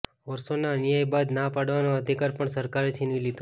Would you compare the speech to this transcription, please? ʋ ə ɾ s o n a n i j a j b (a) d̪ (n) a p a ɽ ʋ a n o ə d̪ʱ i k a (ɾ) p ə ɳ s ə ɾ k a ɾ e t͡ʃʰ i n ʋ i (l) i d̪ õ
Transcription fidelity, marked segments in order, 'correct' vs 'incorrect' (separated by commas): correct, correct, correct, correct